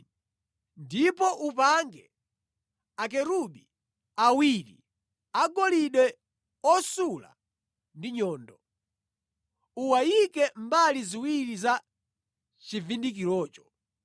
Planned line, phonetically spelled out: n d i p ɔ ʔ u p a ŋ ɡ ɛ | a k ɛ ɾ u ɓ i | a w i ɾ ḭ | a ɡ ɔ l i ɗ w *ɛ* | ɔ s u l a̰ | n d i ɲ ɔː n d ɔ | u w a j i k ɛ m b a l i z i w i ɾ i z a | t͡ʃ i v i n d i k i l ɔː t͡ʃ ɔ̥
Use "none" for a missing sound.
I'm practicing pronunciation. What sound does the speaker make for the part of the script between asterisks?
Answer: ɛ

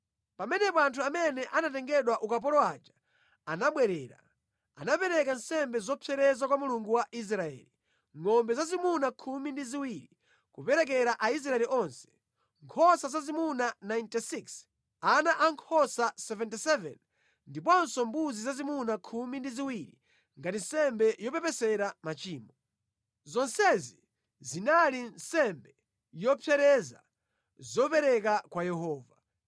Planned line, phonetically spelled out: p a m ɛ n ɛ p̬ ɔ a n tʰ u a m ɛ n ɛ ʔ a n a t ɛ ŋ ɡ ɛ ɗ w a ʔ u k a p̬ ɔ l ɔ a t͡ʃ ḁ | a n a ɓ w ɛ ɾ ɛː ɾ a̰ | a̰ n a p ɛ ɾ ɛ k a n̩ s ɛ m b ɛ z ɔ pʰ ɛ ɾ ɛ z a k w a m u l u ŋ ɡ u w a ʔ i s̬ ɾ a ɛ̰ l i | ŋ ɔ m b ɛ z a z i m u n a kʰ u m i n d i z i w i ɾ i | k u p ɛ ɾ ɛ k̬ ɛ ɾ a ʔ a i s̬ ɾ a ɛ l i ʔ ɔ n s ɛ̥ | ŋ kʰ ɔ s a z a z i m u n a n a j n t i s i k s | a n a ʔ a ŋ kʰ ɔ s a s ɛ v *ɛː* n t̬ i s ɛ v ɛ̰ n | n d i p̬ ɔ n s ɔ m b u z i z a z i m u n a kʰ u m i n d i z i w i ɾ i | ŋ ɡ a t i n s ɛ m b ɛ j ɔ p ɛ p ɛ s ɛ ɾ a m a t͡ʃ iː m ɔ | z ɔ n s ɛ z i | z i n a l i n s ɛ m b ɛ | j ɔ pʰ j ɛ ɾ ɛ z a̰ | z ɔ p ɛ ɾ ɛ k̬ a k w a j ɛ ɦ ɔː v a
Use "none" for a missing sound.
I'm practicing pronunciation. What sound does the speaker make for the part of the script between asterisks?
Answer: ɛ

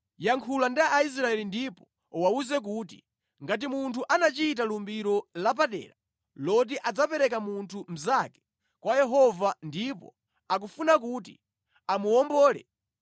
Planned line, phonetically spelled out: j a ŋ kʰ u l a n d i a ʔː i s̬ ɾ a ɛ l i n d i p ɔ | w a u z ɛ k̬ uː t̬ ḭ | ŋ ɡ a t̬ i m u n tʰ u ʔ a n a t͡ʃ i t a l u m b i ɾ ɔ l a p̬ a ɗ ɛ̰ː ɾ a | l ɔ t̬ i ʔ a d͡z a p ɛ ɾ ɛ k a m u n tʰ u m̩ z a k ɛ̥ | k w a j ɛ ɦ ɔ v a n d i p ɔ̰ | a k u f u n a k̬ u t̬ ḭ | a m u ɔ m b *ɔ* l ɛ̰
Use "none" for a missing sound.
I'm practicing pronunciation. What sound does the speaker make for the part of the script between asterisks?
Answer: ɔː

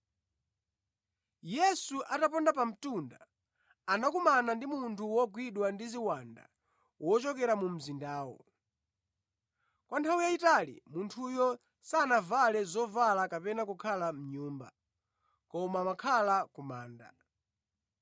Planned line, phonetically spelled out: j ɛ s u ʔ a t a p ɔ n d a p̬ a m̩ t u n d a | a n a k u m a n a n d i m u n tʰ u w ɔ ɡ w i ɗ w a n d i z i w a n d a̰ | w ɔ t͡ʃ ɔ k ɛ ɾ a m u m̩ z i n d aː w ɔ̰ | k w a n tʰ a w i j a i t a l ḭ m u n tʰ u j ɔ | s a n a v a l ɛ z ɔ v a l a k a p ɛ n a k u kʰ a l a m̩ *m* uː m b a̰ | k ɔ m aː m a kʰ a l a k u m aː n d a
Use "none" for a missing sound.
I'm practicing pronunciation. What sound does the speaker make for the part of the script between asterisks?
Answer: ɲ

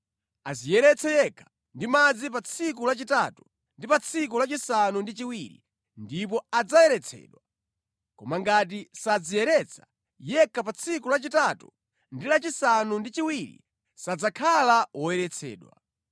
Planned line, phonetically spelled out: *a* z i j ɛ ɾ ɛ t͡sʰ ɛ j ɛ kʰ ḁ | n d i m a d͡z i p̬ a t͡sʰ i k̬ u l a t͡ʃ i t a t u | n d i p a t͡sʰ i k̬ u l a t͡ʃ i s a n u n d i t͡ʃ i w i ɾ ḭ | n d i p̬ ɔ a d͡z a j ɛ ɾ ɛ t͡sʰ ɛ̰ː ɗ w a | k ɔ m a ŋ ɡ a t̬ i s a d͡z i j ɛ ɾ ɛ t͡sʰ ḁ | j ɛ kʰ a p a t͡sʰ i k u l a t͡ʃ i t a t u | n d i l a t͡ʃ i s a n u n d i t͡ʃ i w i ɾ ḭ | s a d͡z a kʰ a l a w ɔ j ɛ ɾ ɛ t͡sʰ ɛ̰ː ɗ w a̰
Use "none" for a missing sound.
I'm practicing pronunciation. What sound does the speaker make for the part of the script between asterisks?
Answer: a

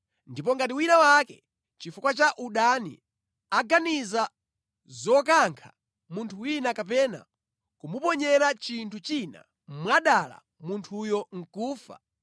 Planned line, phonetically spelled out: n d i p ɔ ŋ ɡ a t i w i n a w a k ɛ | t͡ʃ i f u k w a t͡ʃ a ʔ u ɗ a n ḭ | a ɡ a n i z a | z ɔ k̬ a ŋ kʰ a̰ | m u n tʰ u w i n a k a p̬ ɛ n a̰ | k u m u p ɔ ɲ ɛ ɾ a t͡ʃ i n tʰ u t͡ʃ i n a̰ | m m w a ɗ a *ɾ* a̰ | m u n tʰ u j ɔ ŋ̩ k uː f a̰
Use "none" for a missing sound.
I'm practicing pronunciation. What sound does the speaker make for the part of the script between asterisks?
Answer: l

